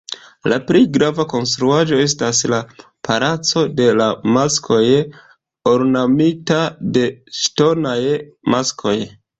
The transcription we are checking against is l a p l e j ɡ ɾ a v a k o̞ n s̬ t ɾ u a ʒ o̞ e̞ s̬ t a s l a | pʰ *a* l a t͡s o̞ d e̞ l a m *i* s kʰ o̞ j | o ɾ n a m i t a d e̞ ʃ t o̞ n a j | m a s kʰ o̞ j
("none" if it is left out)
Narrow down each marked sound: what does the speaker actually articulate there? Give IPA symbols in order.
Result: a, a

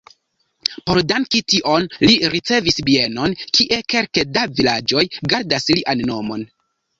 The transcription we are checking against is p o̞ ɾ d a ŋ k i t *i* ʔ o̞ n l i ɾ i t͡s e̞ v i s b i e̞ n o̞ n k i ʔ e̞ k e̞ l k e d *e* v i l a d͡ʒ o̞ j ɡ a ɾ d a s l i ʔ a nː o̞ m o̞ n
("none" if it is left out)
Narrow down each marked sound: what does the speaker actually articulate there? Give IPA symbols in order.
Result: i, a

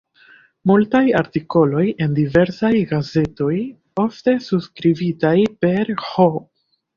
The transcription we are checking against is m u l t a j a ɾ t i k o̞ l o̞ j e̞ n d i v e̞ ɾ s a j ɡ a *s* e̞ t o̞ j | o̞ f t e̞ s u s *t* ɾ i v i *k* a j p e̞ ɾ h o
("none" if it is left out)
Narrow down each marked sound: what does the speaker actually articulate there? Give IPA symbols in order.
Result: z, k, t

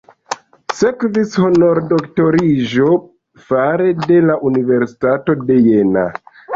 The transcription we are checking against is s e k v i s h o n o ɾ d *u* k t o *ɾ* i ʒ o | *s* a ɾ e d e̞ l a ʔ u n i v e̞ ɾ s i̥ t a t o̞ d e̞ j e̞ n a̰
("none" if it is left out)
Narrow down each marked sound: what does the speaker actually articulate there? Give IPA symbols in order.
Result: o, ɾ, f

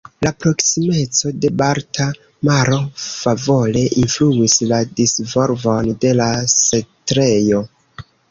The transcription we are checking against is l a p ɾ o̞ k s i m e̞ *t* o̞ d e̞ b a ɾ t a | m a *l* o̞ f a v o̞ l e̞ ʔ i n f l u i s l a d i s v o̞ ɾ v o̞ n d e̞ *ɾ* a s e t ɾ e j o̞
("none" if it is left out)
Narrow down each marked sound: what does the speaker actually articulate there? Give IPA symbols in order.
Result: t͡s, ɾ, l

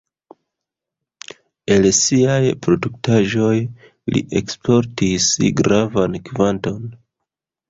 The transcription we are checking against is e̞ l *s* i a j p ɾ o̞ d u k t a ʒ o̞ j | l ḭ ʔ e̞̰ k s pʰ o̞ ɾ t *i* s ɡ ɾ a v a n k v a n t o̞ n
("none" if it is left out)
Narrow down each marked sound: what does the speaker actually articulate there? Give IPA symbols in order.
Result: s, i

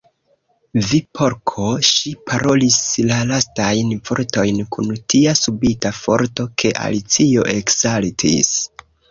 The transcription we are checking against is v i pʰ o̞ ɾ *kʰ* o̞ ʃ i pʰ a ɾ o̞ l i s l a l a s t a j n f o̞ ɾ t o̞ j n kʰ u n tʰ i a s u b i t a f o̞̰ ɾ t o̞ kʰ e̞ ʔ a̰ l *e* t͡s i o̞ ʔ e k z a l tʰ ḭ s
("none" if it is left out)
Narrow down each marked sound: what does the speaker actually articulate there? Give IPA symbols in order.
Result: kʰ, i

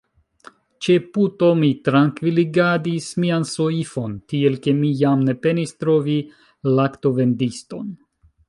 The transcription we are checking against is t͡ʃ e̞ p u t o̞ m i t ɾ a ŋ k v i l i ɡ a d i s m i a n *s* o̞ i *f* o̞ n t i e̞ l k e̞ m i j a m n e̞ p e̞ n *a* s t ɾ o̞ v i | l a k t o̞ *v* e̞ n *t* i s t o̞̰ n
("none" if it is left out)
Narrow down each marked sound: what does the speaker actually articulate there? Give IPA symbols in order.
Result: s, f, i, v, d

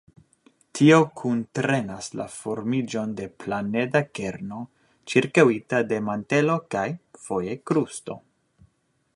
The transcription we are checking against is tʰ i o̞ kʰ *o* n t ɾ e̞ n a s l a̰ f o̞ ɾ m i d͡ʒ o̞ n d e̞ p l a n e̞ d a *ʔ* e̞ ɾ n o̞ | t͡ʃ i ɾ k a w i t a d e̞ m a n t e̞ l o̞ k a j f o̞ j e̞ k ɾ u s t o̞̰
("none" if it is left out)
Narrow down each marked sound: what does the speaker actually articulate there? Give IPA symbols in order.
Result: u, k

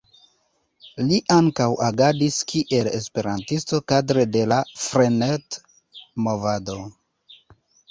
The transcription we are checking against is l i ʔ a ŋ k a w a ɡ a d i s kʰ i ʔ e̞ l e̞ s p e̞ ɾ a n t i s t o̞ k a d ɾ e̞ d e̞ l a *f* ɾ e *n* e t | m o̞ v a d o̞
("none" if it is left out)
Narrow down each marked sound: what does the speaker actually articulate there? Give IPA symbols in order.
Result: f, n

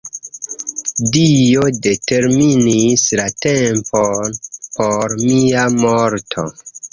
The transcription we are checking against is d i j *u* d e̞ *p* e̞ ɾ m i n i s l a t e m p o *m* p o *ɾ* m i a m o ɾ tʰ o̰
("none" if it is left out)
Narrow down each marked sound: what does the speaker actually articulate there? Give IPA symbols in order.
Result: o, t, n, ɾ

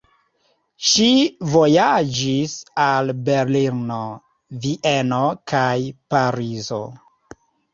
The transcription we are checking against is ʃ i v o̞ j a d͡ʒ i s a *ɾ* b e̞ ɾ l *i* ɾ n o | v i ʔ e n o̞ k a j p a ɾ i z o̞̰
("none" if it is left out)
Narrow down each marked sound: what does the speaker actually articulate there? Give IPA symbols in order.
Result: l, i

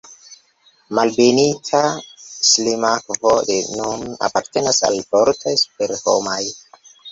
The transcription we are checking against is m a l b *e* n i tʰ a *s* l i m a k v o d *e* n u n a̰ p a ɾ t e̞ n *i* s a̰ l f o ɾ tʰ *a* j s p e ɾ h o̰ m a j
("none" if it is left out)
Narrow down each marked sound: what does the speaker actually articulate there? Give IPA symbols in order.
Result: e, s, e, a, a

